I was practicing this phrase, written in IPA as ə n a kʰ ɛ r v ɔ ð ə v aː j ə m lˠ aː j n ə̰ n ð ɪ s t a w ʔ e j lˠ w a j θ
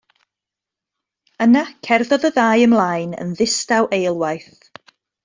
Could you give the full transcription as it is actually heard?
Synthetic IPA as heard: ə n a kʰ ɛ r ð ɔ ð ə ð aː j ə m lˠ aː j n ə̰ n ð ɪ s t a w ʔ e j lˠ w a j θ